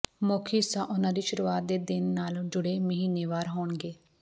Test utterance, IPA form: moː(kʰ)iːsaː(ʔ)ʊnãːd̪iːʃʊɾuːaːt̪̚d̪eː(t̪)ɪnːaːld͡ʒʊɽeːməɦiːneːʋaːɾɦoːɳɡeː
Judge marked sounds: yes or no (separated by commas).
yes, yes, no